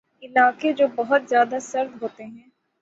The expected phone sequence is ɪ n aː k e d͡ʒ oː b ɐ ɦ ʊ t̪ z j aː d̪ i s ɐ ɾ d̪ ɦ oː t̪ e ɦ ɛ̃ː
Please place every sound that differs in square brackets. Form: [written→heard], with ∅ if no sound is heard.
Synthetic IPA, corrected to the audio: ɪ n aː k e d͡ʒ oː b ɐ ɦ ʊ t̪ z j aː d̪ [i→a] s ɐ ɾ d̪ ɦ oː t̪ e ɦ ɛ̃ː